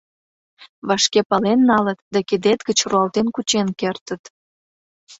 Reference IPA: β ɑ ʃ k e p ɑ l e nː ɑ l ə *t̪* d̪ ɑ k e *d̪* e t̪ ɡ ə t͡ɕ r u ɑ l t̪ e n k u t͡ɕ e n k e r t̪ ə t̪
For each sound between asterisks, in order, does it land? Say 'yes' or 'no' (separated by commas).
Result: yes, yes